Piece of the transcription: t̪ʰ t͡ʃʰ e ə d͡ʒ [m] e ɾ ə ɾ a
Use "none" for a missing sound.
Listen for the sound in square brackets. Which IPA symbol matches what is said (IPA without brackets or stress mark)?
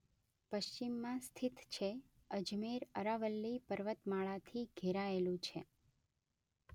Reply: m